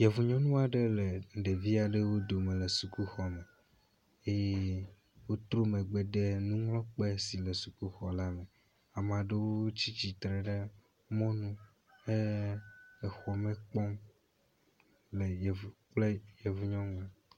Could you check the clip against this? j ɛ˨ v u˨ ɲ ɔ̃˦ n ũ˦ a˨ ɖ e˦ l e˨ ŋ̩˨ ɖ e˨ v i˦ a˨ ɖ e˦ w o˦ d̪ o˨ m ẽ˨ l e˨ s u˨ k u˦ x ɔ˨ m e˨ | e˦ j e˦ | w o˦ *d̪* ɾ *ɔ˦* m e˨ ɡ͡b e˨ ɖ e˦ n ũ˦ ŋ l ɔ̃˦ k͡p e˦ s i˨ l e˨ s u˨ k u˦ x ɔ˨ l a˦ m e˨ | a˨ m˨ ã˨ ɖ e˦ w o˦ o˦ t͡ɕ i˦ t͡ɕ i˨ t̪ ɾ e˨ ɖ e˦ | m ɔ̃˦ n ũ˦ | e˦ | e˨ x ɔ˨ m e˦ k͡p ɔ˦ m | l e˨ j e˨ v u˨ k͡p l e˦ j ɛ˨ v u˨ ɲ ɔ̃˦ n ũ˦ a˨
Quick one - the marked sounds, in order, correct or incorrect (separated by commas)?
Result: incorrect, incorrect